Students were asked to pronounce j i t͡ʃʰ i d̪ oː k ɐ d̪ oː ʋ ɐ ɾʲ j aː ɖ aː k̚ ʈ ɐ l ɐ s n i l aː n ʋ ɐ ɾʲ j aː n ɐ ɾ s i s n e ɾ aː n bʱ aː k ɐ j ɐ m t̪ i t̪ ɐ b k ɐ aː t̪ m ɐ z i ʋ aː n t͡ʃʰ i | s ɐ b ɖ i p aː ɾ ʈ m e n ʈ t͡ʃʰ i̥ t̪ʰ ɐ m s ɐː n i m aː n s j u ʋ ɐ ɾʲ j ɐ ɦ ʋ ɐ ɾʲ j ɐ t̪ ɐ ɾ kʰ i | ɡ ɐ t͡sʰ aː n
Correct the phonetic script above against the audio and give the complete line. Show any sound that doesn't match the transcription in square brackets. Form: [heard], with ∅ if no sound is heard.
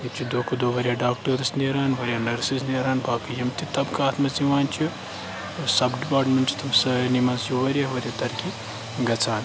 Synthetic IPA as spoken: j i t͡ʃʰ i d̪ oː k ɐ d̪ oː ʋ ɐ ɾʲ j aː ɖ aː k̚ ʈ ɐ [ɾ] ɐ s n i [ɾ] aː n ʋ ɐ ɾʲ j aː n ɐ ɾ s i s n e ɾ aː n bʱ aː k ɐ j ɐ m t̪ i t̪ ɐ b k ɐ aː t̪ m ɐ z i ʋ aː n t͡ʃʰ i | s ɐ b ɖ i p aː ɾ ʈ m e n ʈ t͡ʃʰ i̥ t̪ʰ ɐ m s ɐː n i m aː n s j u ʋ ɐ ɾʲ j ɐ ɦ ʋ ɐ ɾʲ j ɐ t̪ ɐ ɾ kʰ i | ɡ ɐ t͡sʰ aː n